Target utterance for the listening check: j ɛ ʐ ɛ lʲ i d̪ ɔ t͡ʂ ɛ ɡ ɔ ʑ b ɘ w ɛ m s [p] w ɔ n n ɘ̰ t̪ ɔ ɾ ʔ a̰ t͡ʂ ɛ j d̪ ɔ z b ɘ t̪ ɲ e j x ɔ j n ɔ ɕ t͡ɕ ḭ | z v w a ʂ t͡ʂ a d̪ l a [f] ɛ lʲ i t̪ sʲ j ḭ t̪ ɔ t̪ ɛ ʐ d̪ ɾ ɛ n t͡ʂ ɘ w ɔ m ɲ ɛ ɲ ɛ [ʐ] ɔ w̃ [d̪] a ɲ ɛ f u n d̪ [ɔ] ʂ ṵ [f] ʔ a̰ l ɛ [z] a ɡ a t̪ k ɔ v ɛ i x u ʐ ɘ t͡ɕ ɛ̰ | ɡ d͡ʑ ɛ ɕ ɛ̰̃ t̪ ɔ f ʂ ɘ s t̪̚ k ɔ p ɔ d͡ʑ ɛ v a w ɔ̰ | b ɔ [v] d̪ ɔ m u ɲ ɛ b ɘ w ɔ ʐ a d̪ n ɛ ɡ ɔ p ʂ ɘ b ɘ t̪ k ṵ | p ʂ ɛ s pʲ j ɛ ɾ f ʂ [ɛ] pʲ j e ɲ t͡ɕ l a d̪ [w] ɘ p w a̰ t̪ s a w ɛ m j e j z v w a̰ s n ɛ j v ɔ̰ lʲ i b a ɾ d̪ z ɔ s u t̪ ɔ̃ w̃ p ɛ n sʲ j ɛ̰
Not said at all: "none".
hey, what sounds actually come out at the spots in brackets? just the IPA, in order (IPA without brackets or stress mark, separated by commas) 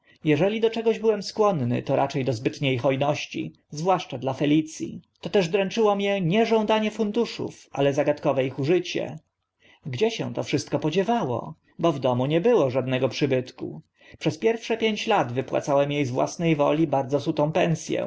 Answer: k, f, ʐ, d̪, u, f, z, v, ɛ, v